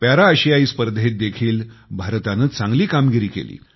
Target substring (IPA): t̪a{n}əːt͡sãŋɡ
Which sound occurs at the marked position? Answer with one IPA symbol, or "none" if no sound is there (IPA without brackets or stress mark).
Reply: n